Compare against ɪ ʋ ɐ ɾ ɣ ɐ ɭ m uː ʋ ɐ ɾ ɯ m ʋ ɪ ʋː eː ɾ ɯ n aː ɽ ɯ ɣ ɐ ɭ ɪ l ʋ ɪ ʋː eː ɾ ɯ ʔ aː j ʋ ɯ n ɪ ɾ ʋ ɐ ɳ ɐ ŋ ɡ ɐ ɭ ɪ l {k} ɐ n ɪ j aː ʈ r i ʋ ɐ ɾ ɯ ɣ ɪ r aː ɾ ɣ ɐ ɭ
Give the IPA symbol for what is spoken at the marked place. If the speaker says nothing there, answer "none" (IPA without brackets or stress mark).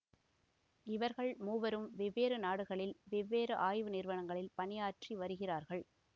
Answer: p